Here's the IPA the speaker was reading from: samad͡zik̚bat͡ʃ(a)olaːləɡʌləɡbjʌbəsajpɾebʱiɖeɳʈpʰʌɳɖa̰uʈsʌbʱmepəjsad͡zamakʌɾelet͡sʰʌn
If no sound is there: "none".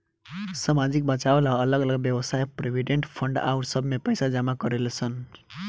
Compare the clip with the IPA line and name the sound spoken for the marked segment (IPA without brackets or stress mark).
a